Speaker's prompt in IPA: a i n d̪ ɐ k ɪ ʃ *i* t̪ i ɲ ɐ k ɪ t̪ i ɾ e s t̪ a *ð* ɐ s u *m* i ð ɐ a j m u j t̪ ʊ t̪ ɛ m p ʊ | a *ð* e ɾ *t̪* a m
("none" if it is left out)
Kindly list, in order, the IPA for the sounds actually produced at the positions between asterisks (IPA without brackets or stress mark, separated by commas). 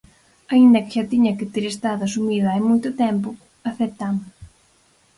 a, ð, m, θ, t̪